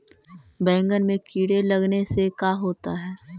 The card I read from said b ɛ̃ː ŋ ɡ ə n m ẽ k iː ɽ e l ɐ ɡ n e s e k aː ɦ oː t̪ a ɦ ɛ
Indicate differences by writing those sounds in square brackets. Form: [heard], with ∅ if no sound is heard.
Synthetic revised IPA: b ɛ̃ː ŋ ɡ ə n m ẽ k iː ɽ e l ɐ ɡ n e s e k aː ɦ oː t̪ a ɦ [ɛː]